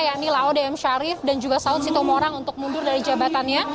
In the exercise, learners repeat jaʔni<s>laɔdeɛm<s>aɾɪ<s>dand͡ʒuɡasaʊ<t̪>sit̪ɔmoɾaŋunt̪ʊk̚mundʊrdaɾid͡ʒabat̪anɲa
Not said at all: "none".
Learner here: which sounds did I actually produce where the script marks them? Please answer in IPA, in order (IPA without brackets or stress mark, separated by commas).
none, ʃ, f, t̪